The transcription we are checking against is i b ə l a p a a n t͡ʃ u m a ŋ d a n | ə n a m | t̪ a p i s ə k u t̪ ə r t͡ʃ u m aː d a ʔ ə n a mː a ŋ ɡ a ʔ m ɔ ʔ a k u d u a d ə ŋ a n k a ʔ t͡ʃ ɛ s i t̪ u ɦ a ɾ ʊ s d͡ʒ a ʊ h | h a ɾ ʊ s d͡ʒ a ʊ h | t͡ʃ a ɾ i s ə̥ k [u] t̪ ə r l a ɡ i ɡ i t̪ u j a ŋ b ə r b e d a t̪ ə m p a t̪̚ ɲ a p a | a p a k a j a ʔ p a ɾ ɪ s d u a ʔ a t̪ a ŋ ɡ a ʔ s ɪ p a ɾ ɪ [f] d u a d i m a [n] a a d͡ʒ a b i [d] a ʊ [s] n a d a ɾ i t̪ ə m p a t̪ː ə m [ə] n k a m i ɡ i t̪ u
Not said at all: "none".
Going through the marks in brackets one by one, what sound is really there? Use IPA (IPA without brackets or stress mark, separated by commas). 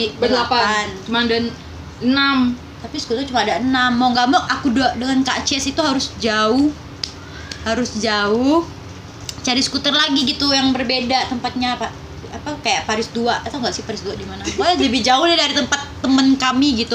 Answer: u, s, n, d͡ʒ, h, ə